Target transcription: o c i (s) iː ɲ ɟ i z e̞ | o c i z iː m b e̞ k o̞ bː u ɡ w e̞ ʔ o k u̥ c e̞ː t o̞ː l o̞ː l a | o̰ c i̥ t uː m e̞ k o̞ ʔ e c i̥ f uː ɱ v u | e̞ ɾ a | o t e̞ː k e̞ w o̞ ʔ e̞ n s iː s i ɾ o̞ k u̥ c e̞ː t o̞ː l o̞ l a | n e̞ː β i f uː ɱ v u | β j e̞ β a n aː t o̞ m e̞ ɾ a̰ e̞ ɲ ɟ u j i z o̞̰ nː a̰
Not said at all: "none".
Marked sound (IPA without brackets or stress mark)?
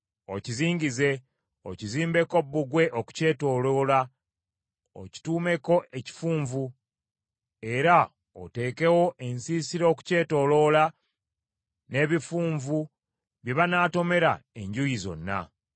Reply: z